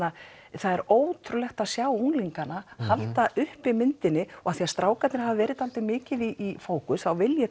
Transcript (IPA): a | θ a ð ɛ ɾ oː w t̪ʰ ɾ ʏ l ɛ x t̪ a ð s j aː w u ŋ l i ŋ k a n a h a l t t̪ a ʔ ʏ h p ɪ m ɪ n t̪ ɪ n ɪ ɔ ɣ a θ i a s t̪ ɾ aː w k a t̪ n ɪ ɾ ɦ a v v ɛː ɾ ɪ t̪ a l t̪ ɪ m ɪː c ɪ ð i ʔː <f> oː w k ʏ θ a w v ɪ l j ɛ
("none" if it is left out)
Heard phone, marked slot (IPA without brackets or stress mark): f